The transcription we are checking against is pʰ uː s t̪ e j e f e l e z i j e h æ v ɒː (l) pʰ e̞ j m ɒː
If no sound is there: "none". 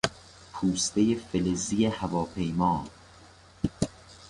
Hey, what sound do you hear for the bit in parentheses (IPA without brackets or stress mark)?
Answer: none